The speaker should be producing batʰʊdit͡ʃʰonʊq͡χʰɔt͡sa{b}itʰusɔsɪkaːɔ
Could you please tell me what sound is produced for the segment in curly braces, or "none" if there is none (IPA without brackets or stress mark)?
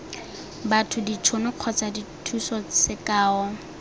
d